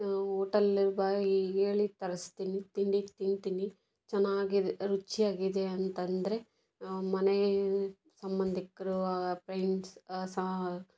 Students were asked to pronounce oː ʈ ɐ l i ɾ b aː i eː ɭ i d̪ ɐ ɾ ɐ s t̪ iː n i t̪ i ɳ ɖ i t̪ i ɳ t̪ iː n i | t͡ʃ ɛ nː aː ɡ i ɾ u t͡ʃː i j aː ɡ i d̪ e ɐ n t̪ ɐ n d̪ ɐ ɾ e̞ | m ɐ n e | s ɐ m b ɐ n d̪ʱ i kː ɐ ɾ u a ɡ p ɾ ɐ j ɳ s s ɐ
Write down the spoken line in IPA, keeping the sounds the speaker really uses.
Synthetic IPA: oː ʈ ɐ l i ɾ b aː i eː ɭ i t̪ ɐ ɾ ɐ s t̪ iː n i t̪ i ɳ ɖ i t̪ i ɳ t̪ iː n i | t͡ʃ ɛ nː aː ɡ i ɾ u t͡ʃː i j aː ɡ i d̪ e ɐ n t̪ ɐ n d̪ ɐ ɾ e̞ | m ɐ n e | s ɐ m b ɐ n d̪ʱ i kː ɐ ɾ u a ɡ p ɾ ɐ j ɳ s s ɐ